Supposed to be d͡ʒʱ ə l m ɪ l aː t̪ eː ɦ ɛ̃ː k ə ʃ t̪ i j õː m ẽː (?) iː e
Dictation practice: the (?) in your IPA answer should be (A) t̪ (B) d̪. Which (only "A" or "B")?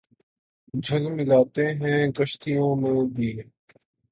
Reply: B